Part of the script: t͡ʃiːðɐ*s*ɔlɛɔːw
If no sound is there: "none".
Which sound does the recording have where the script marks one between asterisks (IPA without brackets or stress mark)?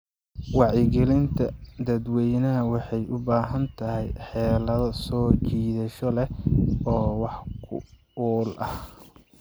ʃ